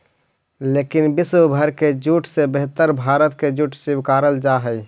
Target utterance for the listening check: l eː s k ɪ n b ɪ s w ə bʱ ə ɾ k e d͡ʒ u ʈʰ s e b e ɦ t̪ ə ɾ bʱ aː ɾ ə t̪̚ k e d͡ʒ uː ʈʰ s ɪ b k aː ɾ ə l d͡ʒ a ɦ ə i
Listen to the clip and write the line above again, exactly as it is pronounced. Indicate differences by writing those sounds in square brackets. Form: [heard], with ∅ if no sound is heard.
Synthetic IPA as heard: l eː [∅] k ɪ n b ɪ s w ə bʱ ə ɾ k e d͡ʒ u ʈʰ s e b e ɦ t̪ ə ɾ bʱ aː ɾ ə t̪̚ k e d͡ʒ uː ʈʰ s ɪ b k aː ɾ ə l d͡ʒ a ɦ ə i